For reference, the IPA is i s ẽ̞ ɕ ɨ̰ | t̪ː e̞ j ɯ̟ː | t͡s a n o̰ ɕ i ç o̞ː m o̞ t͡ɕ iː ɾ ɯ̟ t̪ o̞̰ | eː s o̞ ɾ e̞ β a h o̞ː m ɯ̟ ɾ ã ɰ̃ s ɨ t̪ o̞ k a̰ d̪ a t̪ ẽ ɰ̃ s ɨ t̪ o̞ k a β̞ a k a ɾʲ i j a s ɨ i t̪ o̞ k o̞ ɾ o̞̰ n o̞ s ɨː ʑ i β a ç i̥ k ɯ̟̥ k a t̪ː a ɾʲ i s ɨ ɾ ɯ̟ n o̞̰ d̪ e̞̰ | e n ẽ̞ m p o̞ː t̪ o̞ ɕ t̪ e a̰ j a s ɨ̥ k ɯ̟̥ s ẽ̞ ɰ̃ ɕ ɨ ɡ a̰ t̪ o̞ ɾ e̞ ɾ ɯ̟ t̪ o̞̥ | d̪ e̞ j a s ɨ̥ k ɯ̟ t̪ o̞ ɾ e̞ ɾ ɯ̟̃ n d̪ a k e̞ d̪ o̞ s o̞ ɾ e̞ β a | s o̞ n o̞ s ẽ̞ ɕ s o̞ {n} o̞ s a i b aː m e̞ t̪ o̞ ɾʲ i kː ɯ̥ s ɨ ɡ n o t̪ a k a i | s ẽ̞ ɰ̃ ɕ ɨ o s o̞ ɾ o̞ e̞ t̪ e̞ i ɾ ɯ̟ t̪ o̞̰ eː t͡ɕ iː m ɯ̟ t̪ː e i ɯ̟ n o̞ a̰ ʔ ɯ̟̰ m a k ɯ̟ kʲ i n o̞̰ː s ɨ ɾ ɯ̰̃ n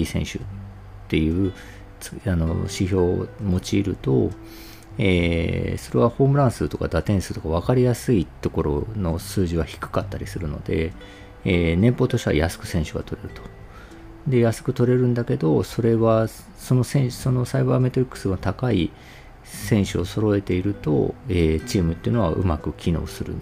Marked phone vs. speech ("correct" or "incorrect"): correct